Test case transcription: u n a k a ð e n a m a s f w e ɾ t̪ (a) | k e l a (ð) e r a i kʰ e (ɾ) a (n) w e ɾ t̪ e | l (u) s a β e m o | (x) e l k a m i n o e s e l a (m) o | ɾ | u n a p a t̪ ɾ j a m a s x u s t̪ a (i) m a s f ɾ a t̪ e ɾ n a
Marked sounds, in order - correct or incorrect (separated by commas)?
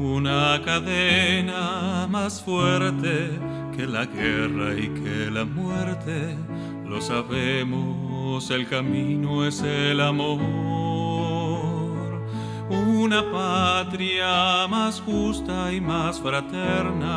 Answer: incorrect, incorrect, incorrect, incorrect, incorrect, incorrect, correct, correct